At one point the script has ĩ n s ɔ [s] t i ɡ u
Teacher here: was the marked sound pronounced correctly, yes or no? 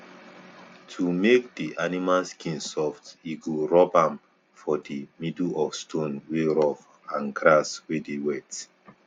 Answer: no